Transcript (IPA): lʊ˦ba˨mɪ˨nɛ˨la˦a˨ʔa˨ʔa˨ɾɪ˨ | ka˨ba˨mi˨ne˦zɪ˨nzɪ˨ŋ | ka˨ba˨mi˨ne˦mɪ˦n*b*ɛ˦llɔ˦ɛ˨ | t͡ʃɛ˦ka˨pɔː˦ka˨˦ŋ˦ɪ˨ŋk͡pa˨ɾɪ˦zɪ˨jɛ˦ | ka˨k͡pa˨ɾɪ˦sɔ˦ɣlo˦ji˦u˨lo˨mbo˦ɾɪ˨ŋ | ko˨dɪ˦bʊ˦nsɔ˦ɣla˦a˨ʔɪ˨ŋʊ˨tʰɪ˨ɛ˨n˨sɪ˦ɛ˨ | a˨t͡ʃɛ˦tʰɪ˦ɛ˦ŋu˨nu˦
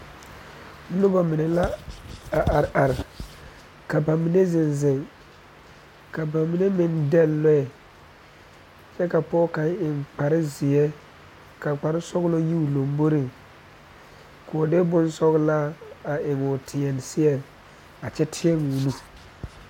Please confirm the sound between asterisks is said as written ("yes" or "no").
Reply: no